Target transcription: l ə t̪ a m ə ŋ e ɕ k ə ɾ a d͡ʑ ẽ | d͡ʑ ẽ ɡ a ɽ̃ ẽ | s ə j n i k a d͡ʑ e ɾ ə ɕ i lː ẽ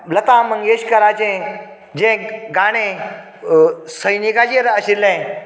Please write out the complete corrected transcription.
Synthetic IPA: l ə t̪ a m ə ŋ e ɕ k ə ɾ a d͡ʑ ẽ | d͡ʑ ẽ ɡ a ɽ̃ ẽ | s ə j n i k a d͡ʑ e ɾ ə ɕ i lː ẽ